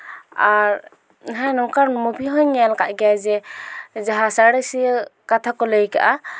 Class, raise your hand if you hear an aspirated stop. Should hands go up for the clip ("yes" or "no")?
yes